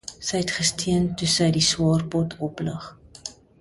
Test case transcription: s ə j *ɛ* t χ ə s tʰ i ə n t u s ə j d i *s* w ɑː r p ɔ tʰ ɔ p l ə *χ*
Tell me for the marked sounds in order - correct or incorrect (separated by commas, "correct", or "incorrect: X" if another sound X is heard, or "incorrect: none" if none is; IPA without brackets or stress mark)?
correct, correct, correct